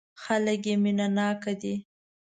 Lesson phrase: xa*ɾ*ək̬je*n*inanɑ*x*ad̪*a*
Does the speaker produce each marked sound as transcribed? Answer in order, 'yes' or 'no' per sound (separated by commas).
no, no, no, no